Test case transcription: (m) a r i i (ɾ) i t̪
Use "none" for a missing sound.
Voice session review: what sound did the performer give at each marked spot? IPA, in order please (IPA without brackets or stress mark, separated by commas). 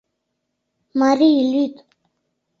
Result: m, l